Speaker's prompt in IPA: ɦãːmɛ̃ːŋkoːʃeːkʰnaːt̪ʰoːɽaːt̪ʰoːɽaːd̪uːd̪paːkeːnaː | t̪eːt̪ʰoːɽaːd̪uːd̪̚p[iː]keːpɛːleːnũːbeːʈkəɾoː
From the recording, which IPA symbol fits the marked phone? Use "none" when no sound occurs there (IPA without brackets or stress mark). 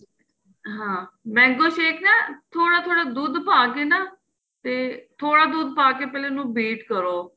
aː